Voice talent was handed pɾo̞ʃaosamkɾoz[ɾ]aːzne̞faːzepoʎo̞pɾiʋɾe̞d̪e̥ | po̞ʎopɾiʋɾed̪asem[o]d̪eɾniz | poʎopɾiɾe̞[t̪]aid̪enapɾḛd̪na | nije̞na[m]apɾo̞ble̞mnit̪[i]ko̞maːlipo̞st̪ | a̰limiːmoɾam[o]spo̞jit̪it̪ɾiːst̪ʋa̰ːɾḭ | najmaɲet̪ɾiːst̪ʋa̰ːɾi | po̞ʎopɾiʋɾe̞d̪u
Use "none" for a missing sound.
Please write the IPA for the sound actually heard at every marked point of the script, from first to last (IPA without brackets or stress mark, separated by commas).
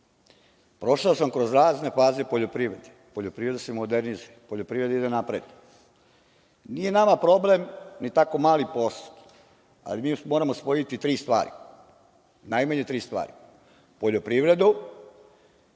ɾ, o, d̪, m, a, o